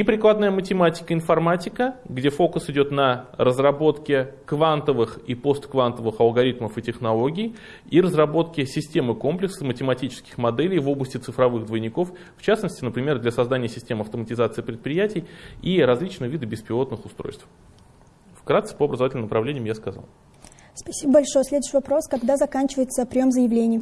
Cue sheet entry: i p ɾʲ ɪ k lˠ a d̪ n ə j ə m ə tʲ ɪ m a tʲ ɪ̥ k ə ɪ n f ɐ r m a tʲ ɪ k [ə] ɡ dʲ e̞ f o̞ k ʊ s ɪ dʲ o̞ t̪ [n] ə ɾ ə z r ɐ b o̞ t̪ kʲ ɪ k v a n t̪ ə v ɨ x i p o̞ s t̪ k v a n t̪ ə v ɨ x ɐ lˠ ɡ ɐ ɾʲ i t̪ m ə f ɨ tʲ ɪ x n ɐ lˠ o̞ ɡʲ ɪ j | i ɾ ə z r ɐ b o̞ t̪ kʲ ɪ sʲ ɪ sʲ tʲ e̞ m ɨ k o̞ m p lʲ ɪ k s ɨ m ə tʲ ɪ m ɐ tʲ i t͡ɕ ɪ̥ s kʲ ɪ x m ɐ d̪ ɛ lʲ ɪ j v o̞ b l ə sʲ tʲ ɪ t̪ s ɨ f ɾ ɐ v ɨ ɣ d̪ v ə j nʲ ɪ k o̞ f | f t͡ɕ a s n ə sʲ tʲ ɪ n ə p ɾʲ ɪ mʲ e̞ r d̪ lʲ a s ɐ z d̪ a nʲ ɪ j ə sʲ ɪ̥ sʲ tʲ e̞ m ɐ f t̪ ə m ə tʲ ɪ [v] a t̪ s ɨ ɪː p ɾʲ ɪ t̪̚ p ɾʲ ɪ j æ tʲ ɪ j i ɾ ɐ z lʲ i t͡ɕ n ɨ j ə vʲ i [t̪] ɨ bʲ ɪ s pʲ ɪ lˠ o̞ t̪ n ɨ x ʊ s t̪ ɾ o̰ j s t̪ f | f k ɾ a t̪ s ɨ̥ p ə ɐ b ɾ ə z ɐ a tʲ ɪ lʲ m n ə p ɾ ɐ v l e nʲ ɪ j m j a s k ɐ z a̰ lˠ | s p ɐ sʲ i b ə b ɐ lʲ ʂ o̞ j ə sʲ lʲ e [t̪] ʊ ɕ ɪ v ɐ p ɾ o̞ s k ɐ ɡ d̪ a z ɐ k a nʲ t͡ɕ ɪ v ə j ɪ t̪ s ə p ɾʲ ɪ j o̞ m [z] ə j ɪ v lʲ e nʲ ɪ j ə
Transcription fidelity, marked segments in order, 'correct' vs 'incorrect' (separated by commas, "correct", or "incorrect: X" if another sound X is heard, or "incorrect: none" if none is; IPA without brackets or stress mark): correct, correct, incorrect: z, incorrect: d̪, incorrect: d̪, correct